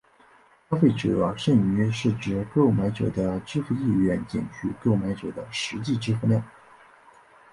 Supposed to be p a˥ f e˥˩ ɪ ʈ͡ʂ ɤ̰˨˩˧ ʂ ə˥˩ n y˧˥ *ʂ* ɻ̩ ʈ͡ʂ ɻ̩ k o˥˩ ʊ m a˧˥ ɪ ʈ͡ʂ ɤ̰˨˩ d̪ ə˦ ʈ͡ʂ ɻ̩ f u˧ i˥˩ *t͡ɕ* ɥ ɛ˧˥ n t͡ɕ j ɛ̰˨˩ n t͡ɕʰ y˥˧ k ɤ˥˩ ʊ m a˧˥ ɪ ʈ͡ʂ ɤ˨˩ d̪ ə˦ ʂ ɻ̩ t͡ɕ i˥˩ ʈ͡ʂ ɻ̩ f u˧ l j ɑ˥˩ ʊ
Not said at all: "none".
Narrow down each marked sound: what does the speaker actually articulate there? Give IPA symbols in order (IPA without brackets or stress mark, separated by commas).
ʂ, none